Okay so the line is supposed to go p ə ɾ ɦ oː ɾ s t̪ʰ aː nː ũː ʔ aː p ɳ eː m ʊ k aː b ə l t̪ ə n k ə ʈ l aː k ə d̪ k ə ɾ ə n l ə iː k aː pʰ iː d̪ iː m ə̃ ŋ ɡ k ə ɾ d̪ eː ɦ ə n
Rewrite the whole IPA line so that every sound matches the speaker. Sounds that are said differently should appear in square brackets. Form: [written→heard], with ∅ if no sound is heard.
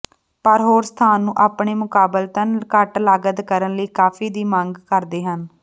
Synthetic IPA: p ə ɾ ɦ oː ɾ s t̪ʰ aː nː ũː ʔ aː p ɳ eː m ʊ k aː b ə l t̪ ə n k ə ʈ l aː [k→ɡ] ə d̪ k ə ɾ ə n l ə iː k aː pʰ iː d̪ iː m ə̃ ŋ ɡ k ə ɾ d̪ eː ɦ ə n